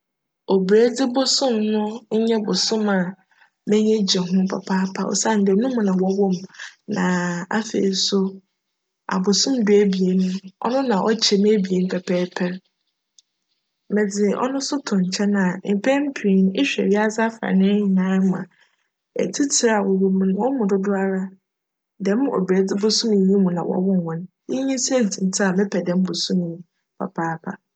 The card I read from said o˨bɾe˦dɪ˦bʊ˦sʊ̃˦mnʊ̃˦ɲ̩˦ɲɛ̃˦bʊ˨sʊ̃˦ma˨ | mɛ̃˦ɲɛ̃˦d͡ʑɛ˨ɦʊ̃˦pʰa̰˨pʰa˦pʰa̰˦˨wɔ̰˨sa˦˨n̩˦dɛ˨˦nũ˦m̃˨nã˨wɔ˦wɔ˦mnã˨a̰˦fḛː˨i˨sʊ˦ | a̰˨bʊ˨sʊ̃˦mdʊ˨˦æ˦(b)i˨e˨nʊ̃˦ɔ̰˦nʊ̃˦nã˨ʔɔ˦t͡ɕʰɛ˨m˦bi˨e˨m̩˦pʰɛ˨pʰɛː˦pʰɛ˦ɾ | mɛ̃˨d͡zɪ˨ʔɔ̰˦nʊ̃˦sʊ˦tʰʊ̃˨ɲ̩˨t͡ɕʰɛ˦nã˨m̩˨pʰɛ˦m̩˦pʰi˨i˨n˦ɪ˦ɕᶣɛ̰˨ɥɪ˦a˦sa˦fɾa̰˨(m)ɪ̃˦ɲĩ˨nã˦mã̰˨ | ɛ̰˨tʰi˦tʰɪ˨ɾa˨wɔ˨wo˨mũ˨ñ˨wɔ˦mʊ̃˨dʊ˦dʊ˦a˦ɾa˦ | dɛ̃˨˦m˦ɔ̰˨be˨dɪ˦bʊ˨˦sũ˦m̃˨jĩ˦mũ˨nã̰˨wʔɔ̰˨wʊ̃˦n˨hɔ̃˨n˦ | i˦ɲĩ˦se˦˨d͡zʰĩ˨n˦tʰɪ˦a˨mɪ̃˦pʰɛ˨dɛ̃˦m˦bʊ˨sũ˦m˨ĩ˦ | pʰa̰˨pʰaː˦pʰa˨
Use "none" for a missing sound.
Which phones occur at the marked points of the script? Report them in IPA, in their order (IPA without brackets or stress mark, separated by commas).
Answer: b, n